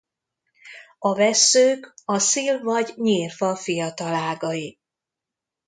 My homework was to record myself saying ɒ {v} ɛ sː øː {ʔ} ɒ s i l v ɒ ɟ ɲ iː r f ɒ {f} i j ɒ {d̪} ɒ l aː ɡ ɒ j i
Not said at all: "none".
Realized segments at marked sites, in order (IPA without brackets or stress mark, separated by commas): v, k, f, t̪